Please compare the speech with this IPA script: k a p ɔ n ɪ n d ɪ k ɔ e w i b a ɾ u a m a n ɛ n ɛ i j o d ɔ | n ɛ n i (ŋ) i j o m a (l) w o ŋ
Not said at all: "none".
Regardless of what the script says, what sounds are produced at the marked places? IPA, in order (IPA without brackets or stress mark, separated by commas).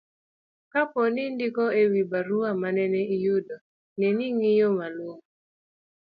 ŋ, l